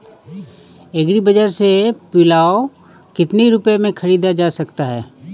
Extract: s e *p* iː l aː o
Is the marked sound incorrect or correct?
correct